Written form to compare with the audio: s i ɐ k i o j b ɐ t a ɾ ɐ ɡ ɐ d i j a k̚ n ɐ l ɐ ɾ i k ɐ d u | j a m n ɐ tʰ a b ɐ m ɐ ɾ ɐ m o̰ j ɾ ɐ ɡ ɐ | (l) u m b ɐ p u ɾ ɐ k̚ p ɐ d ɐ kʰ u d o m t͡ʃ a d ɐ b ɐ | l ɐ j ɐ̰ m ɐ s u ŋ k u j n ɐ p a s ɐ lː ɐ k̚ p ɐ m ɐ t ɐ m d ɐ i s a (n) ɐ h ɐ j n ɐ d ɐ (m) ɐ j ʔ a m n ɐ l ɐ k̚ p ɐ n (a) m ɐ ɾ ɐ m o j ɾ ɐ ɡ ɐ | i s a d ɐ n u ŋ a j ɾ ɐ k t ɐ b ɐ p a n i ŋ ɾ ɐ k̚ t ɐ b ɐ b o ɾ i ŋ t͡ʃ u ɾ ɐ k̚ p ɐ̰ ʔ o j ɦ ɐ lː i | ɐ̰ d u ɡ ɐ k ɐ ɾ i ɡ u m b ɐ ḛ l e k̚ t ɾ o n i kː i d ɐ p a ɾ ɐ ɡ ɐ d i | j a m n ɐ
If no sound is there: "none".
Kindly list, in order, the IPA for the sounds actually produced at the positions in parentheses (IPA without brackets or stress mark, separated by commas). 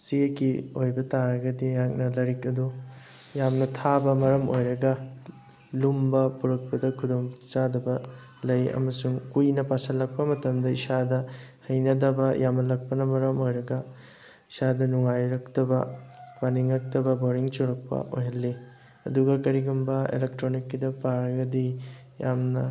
l, d, b, ɐ